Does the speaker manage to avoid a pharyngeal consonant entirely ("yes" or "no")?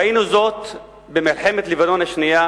no